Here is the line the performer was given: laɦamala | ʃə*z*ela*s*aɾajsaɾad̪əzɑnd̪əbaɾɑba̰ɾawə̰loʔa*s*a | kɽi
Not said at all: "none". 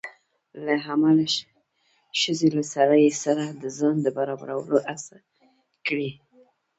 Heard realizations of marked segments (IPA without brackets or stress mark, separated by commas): z, s, s